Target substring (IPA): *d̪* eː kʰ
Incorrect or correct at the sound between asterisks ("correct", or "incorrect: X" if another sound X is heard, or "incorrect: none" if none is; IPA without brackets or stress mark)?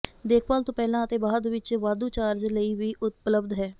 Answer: correct